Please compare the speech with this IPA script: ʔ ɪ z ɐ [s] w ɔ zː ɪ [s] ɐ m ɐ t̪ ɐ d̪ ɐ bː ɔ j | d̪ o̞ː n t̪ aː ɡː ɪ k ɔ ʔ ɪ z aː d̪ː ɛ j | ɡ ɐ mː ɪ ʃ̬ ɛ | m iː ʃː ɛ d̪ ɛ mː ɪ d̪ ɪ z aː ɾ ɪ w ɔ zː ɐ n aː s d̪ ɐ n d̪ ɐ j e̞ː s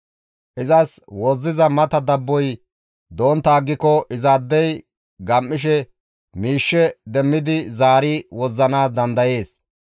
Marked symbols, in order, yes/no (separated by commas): yes, no